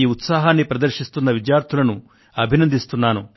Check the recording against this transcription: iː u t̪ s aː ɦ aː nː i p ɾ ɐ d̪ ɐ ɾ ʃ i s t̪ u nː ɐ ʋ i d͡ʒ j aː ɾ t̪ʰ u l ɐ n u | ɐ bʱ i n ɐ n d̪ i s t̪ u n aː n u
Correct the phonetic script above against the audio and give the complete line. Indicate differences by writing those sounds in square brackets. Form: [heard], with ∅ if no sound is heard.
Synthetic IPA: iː u t̪ s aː ɦ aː nː i p ɾ ɐ d̪ ɐ ɾ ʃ i s t̪ u nː ɐ ʋ i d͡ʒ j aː ɾ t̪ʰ u l ɐ n u | ɐ bʱ i n ɐ n d̪ i s t̪ u [nː] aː n u